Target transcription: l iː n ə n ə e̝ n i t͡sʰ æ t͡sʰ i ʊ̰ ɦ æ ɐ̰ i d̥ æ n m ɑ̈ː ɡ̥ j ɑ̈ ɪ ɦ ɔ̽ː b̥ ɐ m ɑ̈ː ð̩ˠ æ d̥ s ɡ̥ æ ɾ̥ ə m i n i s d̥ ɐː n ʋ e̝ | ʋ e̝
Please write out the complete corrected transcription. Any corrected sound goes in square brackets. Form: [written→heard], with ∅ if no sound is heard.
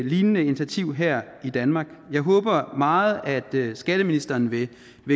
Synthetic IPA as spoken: l iː n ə n ə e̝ n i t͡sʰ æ t͡sʰ i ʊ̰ ɦ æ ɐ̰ i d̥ æ n m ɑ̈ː ɡ̥ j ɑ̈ ɪ ɦ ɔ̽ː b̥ ɐ m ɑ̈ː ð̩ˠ æ d̥ s ɡ̥ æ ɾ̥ ə m i n i s d̥ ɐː n ʋ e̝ | ʋ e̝